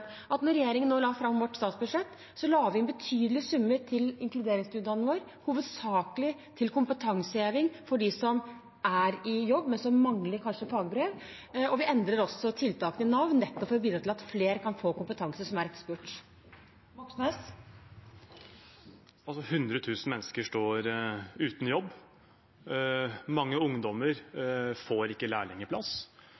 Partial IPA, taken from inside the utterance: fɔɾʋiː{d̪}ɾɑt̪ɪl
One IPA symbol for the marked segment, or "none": d̪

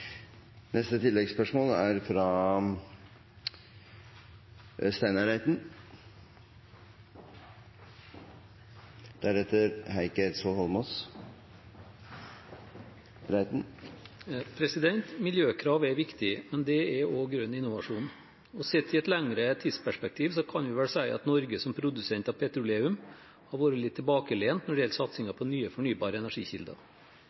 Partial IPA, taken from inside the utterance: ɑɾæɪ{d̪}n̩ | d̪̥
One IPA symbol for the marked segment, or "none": t̪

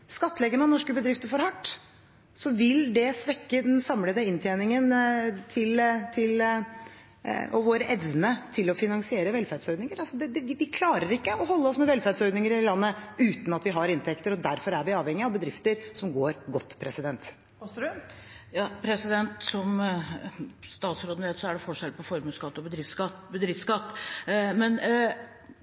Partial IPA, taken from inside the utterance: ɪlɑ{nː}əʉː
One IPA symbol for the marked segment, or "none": nː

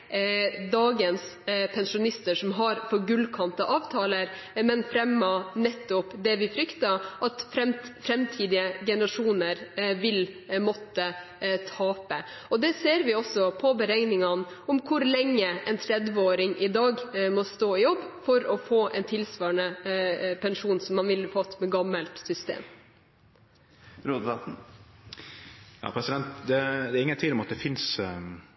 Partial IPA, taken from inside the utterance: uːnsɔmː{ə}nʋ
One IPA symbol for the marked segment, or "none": ɑ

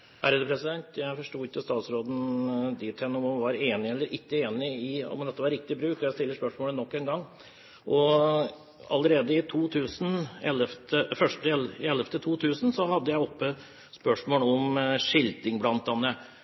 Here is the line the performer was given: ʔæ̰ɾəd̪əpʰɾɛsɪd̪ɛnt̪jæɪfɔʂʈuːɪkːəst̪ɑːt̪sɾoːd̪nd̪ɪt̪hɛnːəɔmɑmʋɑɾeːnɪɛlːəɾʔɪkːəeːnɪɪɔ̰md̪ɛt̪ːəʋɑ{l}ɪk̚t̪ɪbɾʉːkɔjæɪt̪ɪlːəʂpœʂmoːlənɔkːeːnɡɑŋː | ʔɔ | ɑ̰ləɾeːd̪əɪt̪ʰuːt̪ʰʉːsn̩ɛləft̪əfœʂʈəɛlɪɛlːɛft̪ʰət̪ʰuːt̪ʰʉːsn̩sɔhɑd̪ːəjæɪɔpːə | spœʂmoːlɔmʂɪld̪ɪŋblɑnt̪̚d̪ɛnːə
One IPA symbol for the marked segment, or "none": ɾ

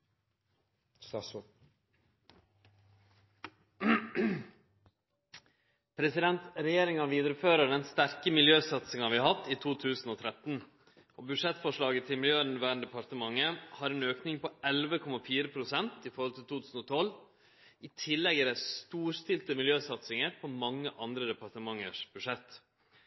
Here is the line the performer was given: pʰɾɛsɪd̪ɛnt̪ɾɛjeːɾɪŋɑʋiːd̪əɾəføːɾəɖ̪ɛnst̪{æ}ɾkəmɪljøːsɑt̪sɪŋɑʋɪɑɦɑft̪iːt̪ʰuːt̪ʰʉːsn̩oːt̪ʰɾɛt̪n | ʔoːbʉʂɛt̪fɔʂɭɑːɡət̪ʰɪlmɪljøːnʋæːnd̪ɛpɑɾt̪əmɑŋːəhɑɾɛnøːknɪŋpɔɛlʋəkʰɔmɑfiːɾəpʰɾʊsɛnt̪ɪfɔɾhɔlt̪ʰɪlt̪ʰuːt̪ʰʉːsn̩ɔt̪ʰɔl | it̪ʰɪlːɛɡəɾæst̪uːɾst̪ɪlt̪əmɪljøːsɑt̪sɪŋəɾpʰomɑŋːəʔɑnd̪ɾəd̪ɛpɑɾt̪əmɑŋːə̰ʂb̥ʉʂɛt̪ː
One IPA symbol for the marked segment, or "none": æ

